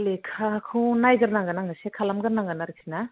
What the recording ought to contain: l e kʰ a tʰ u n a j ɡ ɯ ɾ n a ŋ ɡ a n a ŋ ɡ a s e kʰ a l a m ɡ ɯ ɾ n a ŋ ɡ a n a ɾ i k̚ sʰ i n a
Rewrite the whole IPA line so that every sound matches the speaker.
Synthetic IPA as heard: l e kʰ a kʰ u n a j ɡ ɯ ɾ n a ŋ ɡ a n a ŋ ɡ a s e kʰ a l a m ɡ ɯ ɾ n a ŋ ɡ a n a ɾ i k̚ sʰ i n a